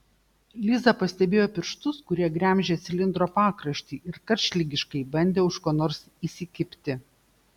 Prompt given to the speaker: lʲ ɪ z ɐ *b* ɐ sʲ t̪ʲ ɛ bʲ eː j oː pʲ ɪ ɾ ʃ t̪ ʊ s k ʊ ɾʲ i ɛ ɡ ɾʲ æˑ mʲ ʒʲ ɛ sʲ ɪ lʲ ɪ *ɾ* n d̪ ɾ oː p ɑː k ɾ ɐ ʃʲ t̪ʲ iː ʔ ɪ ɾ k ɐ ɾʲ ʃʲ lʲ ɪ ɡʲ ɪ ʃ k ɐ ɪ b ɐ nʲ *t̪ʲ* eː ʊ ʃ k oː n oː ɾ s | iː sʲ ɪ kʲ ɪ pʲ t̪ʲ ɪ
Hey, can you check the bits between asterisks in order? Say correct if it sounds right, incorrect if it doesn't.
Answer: incorrect: p, incorrect: none, incorrect: d̪ʲ

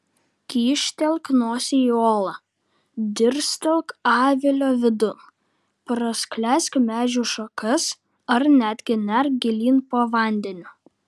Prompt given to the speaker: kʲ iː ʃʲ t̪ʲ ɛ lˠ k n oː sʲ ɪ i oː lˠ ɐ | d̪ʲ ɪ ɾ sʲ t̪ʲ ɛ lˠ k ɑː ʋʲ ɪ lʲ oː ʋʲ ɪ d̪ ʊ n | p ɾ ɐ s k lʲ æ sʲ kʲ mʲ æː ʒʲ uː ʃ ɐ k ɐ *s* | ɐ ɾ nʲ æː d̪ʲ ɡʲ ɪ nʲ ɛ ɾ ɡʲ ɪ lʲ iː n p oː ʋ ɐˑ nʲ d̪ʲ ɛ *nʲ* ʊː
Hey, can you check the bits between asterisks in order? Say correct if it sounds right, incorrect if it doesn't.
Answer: correct, correct

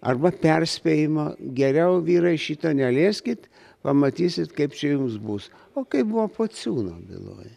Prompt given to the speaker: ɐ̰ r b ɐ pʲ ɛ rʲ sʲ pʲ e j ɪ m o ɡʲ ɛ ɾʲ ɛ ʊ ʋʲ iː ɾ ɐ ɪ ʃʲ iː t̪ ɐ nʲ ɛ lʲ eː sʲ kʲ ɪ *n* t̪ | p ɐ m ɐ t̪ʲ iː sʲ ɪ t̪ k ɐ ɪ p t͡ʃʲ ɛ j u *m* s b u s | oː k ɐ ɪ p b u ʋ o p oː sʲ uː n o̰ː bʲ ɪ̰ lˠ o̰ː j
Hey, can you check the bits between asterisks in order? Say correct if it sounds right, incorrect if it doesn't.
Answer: incorrect: none, correct

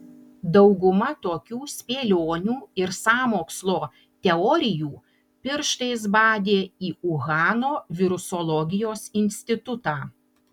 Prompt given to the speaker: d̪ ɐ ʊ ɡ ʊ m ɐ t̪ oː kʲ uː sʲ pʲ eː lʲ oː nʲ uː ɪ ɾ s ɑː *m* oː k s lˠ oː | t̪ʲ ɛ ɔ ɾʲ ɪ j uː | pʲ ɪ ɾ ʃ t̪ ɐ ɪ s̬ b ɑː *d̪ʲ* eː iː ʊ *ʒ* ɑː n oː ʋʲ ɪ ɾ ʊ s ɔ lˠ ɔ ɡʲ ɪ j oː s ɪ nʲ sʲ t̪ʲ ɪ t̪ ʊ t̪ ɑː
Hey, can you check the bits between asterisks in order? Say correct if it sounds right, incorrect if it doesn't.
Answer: correct, correct, incorrect: ɣ

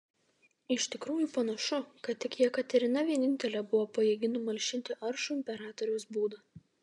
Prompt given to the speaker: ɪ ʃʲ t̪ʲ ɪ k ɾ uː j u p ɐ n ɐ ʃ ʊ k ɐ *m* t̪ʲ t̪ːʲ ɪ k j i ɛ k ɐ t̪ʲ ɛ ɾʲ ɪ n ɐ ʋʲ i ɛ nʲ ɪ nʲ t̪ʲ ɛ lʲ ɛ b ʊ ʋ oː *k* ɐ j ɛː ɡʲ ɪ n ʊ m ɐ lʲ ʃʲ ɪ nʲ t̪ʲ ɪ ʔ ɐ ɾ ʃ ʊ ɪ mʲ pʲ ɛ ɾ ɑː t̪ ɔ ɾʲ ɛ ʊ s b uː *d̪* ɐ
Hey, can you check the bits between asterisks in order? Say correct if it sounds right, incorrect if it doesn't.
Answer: incorrect: none, incorrect: p, correct

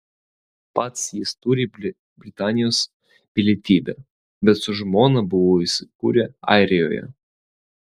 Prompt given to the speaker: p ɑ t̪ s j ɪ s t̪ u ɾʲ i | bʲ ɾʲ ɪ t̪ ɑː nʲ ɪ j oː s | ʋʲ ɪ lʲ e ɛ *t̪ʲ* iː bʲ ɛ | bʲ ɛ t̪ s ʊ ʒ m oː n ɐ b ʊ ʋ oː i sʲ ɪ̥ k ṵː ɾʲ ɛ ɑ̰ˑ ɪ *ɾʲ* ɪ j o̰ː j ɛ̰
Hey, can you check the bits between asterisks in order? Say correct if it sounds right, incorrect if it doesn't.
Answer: correct, correct

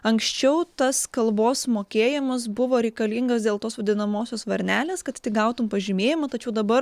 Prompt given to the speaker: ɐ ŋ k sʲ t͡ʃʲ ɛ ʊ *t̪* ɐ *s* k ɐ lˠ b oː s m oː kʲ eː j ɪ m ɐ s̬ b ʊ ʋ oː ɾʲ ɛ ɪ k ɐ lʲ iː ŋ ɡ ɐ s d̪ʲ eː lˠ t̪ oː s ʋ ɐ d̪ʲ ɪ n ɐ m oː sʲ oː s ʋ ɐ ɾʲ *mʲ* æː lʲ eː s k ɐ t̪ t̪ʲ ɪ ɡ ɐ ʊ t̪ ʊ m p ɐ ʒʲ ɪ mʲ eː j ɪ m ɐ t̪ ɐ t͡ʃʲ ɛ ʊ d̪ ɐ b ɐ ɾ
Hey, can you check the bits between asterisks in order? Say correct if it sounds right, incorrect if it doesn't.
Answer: correct, correct, incorrect: nʲ

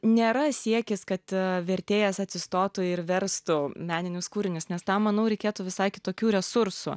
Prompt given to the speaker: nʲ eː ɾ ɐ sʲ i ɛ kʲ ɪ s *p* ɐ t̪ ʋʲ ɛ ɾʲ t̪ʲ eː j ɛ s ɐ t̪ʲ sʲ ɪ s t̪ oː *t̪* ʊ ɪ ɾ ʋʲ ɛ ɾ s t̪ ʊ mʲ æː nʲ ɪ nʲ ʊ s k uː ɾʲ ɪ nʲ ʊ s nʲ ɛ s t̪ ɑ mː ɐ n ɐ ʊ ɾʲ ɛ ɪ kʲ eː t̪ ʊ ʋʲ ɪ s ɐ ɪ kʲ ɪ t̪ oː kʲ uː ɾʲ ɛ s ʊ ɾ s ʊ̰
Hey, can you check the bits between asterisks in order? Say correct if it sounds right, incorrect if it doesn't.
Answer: incorrect: k, correct

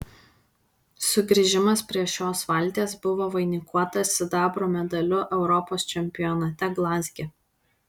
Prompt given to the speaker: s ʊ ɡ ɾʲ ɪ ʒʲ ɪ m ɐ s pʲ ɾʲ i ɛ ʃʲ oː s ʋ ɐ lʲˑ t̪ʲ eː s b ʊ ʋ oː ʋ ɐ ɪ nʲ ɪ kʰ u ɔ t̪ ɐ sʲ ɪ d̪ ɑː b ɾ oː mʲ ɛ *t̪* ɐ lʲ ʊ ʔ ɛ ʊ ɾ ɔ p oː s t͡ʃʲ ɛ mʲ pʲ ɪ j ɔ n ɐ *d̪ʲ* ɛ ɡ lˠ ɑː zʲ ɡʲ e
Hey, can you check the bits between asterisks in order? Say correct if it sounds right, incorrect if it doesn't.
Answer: incorrect: d̪, incorrect: t̪ʲ

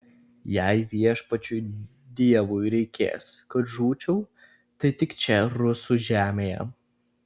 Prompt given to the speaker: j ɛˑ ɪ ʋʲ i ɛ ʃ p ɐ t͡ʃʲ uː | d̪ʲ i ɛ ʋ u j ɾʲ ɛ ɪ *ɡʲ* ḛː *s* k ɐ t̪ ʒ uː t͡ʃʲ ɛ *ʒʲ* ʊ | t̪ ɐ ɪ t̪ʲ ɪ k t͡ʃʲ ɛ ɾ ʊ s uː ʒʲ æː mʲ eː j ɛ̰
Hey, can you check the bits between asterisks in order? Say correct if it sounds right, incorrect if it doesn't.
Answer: incorrect: kʲ, correct, incorrect: none

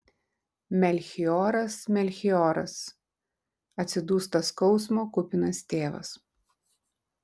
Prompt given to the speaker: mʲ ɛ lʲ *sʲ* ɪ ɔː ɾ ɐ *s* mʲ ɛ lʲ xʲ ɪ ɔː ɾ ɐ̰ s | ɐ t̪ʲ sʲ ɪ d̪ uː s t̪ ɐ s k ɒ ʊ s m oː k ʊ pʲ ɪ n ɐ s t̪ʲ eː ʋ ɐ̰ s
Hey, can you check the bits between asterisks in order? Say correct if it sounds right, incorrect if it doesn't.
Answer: incorrect: xʲ, correct

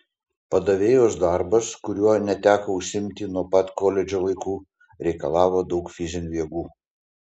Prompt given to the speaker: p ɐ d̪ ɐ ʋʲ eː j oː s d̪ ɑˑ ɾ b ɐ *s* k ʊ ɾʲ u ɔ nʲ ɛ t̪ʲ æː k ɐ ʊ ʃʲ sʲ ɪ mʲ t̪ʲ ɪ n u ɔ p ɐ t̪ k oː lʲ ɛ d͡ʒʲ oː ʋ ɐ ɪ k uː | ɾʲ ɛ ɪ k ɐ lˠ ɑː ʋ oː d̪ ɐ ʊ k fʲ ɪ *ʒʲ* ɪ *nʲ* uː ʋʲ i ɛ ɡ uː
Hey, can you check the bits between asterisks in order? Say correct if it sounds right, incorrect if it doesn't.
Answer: correct, incorrect: zʲ, correct

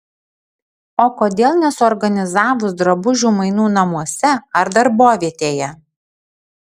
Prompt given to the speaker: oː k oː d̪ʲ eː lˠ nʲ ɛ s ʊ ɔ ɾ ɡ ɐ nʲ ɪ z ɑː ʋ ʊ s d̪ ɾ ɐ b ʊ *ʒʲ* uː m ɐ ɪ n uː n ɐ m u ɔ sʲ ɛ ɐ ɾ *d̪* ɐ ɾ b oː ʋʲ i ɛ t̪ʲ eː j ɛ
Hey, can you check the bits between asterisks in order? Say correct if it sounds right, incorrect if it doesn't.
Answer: correct, correct

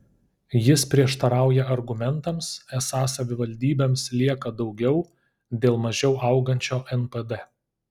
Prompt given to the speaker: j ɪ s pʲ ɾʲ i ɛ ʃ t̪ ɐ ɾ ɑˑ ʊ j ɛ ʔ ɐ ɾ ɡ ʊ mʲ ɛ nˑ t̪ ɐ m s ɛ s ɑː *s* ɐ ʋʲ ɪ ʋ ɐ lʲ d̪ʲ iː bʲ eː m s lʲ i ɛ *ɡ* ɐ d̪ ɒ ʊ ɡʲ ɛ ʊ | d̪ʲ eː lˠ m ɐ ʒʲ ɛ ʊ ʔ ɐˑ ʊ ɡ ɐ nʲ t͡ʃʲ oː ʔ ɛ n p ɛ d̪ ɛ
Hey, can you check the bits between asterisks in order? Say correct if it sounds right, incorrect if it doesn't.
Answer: correct, incorrect: k

